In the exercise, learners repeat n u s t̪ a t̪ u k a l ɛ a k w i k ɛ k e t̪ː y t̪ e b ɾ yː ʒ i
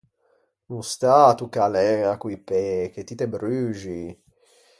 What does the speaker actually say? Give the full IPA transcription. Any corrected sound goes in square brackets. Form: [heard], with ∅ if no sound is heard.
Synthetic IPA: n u s t̪ a t̪ u k a l ɛ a k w i [p] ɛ k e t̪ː [i] t̪ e b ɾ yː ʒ i